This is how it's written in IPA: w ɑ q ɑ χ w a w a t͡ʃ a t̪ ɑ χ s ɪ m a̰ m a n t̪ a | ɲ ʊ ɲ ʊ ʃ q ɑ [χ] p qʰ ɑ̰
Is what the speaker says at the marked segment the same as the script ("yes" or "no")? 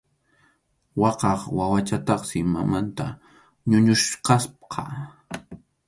no